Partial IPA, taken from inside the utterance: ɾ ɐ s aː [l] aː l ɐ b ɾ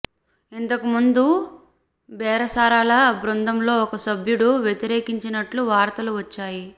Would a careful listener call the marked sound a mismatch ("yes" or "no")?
yes